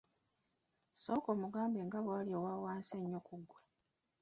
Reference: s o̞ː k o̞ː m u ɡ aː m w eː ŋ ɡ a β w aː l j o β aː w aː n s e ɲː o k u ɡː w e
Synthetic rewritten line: s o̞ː k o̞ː m u ɡ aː m b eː ŋ ɡ a β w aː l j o w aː w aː n s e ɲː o k u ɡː w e